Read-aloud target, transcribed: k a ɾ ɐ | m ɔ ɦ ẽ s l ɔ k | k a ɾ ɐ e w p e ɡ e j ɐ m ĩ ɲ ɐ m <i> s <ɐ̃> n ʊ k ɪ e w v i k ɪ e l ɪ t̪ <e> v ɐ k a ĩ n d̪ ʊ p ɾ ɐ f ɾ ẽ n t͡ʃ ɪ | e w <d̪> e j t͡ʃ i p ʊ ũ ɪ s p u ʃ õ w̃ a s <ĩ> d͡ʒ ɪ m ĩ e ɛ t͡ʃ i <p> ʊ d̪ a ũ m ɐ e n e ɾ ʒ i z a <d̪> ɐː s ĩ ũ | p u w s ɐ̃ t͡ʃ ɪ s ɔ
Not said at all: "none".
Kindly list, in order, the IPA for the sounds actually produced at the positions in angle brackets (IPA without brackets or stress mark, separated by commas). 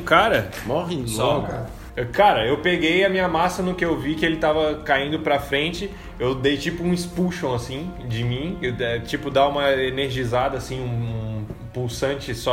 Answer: a, ɐ, a, d̪, ĩ, p, d̪